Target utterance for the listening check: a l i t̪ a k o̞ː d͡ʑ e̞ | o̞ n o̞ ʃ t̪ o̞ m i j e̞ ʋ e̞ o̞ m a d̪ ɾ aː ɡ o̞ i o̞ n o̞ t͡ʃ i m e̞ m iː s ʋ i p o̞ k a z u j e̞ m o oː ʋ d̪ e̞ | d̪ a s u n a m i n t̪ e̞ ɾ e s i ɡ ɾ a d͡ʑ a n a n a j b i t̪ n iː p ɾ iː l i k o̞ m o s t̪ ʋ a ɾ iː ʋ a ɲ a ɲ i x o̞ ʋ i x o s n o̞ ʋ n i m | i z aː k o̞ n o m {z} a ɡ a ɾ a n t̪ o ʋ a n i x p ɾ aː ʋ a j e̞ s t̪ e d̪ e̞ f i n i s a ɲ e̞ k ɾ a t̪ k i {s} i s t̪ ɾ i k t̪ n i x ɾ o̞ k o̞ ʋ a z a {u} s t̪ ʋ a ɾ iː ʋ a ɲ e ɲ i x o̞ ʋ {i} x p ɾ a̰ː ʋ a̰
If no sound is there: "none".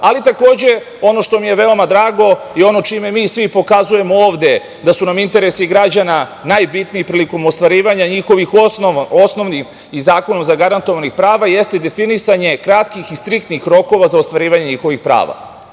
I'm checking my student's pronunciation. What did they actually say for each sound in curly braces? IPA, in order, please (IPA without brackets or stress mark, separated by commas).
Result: z, x, o, i